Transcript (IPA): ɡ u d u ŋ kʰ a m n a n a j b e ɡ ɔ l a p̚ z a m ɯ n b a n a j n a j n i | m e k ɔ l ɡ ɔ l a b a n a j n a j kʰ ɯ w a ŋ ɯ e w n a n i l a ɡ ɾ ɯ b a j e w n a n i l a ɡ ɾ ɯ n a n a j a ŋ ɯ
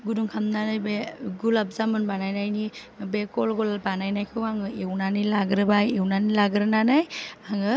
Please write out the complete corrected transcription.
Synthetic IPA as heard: ɡ u d u ŋ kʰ a m n a n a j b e ɡ u l a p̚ z a m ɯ n b a n a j n a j n i | b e k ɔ l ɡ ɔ l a b a n a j n a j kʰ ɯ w a ŋ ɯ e w n a n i l a ɡ ɾ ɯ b a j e w n a n i l a ɡ ɾ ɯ n a n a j a ŋ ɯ

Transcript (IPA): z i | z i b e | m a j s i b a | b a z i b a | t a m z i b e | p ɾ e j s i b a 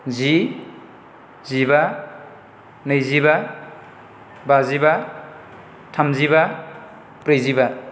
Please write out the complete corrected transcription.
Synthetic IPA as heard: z i | z i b a | n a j z i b a | b a z i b a | tʰ a m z i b a | p ɾ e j z i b a

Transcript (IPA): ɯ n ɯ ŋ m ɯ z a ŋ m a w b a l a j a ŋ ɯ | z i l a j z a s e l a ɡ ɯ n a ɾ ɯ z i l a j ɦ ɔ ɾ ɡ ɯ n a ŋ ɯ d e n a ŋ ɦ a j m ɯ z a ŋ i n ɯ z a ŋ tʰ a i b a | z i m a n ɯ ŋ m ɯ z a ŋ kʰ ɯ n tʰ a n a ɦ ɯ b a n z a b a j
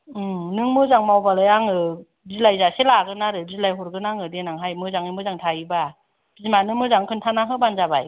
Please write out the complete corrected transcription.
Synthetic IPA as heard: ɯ n ɯ ŋ m ɯ z a ŋ m a w b a l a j a ŋ ɯ | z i l a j z a s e l a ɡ ɯ n a ɾ ɯ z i l a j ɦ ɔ ɾ ɡ ɯ n a ŋ ɯ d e n a ŋ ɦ a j m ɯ z a ŋ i m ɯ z a ŋ tʰ a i b a | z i m a n ɯ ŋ m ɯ z a ŋ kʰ ɯ n tʰ a n a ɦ ɯ b a n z a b a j

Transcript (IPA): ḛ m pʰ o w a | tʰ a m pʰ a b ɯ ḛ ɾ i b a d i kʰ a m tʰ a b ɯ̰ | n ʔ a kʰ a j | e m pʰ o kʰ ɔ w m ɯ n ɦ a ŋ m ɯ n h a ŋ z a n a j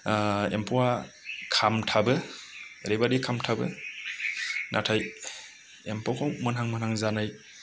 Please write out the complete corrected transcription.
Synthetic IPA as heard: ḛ m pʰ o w a | kʰ a m tʰ a b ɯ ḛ ɾ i b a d i kʰ a m tʰ a b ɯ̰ | n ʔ a tʰ a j | e m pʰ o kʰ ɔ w m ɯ n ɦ a ŋ m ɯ n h a ŋ z a n a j

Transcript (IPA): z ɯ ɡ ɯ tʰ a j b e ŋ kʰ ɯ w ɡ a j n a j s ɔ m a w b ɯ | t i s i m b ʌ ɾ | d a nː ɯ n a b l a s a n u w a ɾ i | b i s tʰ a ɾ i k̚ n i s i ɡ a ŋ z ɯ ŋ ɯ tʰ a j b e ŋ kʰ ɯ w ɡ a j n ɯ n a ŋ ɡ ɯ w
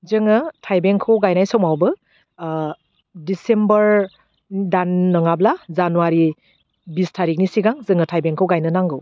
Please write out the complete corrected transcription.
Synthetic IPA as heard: z ɯ ŋ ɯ tʰ a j b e ŋ kʰ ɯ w ɡ a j n a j s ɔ m a w b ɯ | d i s e m b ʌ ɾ | d a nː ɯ ŋ a b l a z a n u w a ɾ i | b i s tʰ a ɾ i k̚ n i s i ɡ a ŋ z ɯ ŋ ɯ tʰ a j b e ŋ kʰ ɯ w ɡ a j n ɯ n a ŋ ɡ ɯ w

